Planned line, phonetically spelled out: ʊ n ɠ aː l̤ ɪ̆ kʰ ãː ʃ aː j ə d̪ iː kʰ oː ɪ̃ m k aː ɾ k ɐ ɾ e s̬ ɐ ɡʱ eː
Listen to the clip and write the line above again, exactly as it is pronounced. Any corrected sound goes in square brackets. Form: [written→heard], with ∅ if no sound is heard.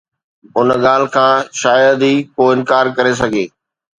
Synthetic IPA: ʊ n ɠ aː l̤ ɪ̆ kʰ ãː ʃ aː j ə d̪ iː [kʰ→k] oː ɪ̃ [m→n] k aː ɾ k ɐ ɾ e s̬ ɐ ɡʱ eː